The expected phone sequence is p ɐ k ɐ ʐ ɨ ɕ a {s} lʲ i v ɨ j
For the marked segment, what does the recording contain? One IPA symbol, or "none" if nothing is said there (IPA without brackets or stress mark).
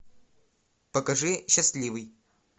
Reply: s